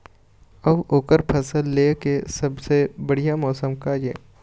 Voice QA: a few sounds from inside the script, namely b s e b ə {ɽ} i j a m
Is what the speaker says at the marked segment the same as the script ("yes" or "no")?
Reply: yes